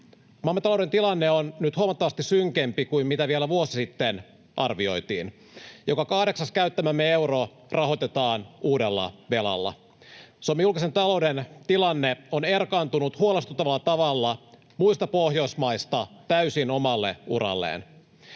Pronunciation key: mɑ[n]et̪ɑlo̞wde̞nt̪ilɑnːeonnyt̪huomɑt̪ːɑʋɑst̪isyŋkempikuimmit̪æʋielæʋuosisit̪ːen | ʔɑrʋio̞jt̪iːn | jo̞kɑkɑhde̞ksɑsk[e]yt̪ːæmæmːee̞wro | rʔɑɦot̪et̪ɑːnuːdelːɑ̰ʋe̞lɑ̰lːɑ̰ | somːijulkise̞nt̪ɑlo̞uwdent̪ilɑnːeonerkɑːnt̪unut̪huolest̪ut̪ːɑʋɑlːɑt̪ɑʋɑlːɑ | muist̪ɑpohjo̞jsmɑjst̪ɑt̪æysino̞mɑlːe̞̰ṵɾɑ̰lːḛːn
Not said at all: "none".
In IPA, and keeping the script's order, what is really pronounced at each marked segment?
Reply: m, æ

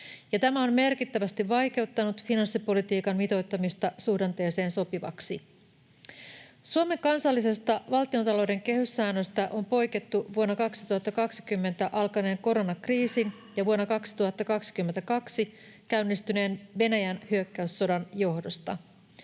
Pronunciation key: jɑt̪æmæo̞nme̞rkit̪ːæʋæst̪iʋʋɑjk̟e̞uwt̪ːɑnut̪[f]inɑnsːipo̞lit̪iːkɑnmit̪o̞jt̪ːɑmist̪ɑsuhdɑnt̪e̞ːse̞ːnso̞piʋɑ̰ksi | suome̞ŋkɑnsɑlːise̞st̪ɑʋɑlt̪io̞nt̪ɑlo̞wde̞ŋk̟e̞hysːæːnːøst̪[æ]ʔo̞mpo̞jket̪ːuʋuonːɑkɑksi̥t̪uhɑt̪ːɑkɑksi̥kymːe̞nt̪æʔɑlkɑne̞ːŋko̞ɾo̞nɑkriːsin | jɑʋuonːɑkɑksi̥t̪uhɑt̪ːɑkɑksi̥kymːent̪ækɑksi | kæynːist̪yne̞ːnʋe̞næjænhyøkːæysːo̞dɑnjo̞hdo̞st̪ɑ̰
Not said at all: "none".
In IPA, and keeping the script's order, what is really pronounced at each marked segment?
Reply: f, æ

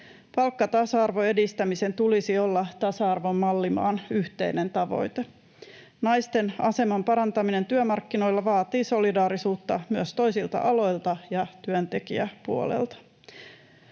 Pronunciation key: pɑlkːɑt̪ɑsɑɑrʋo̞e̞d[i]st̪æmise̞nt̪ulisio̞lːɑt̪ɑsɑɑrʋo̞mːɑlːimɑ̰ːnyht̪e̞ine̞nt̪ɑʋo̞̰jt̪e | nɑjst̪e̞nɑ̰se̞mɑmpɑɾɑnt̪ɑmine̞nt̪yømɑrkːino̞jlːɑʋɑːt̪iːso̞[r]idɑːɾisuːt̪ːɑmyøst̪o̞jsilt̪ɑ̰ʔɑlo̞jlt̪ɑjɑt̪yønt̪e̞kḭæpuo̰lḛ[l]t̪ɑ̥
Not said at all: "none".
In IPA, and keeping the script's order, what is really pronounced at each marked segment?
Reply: i, l, l

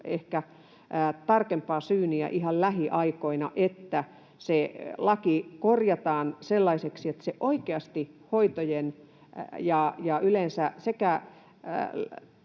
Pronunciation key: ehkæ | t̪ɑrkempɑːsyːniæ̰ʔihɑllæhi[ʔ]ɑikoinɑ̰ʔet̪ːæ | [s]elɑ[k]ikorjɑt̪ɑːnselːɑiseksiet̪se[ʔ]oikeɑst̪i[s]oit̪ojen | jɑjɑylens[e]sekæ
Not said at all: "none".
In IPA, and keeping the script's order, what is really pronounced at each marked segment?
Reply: ʔ, s, k, ʔ, h, æ

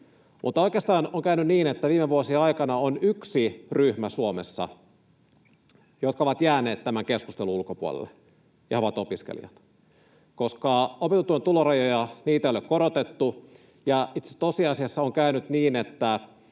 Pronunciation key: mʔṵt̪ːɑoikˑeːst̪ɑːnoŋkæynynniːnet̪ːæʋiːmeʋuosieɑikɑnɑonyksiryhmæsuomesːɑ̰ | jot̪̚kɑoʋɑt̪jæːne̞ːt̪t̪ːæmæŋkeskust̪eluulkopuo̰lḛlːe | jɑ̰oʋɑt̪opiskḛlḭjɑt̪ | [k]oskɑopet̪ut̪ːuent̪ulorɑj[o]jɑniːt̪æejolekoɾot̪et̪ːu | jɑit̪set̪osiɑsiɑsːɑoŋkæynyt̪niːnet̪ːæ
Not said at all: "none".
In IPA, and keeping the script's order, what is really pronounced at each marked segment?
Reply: k, o

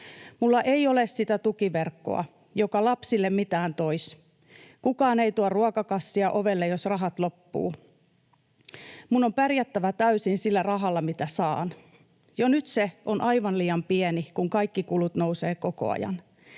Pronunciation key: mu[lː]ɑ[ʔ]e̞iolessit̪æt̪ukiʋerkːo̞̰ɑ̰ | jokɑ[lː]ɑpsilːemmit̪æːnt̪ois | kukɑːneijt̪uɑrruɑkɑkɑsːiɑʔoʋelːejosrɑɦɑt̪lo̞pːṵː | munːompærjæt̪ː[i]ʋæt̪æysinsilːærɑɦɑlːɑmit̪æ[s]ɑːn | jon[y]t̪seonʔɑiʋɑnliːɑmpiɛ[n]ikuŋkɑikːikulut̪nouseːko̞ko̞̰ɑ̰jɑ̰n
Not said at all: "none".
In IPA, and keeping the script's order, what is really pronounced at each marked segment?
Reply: lː, ʔ, l, æ, s, y, n

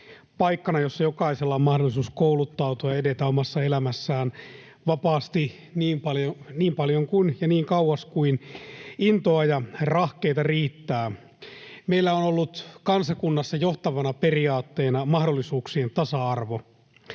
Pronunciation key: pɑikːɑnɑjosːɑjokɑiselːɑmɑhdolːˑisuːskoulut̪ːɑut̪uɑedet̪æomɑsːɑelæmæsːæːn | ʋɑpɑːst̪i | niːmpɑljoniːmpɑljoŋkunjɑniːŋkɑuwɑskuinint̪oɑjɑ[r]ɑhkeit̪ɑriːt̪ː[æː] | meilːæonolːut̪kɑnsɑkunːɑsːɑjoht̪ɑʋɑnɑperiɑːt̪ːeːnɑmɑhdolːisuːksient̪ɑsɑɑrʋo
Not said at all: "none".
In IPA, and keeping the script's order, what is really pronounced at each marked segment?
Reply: r, æː

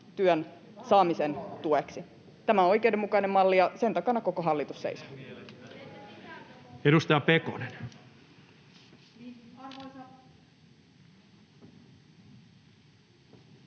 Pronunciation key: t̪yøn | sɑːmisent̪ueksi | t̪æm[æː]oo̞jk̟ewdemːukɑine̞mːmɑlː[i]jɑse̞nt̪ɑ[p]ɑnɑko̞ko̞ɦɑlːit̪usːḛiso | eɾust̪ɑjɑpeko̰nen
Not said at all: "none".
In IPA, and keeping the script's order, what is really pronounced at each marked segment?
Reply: æ, i, k

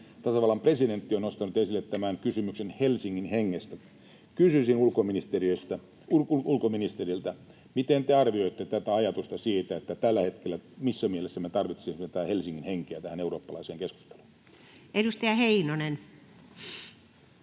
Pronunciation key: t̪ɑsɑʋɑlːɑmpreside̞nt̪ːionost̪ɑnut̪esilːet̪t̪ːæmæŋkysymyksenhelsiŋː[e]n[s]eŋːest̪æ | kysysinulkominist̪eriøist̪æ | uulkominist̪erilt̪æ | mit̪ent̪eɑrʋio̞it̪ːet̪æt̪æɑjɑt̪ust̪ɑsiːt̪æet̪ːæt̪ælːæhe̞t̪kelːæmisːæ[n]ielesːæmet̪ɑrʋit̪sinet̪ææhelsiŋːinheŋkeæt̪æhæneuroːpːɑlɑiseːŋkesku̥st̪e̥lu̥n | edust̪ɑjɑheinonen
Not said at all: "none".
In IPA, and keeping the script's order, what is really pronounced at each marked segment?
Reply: i, h, m

